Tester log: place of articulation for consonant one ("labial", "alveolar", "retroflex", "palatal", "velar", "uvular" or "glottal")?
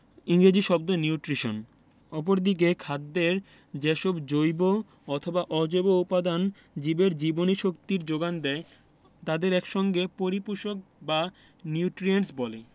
velar